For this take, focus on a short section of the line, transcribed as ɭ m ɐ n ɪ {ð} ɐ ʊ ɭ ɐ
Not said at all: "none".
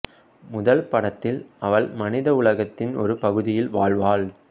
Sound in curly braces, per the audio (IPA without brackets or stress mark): ð